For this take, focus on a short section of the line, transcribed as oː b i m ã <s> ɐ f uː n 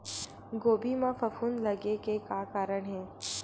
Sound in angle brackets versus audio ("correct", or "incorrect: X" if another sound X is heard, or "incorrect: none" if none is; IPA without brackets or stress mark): incorrect: f